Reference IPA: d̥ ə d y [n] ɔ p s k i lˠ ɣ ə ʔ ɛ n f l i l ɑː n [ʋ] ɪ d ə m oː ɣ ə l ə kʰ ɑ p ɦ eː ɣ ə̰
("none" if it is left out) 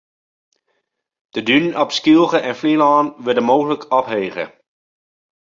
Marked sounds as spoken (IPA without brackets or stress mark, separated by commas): n, ʋ